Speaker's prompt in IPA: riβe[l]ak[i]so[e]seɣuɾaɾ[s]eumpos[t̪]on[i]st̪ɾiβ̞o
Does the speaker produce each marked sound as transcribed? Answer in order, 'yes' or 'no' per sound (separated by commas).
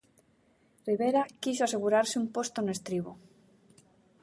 no, yes, no, yes, yes, no